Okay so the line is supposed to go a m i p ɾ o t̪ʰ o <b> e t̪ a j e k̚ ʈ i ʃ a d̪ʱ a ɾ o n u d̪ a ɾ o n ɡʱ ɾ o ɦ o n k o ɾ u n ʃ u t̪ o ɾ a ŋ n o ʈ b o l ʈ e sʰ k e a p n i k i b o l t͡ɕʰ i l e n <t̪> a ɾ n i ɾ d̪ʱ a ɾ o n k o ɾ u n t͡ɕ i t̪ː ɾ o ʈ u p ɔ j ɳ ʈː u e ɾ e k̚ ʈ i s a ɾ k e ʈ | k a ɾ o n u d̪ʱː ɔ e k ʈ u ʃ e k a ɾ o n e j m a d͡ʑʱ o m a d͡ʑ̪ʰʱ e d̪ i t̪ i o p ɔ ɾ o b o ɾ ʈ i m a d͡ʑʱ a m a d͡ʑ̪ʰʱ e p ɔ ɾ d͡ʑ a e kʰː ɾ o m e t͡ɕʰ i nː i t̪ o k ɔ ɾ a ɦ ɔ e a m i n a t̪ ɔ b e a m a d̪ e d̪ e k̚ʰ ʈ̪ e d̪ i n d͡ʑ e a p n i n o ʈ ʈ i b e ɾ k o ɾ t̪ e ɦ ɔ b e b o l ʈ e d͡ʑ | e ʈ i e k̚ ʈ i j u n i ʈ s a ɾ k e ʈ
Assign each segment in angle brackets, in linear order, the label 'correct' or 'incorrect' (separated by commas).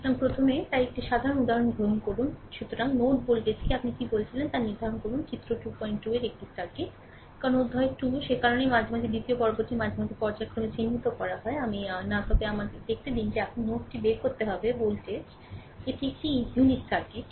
incorrect, correct